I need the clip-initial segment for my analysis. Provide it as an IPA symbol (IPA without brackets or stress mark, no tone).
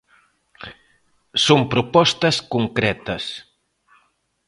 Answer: s